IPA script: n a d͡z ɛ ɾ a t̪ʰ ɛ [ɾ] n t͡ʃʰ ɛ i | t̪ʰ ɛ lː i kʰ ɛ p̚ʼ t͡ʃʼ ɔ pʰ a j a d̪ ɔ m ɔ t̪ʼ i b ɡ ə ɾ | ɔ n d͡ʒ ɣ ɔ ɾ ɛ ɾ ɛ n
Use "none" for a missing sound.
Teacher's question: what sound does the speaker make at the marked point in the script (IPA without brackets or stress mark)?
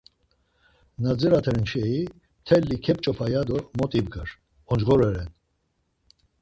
ɾ